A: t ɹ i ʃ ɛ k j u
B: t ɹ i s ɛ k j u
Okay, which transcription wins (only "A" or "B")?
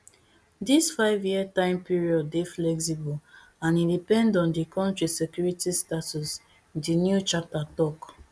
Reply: B